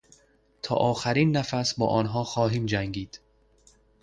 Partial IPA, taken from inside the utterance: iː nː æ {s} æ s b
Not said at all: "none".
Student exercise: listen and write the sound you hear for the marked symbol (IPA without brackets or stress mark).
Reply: f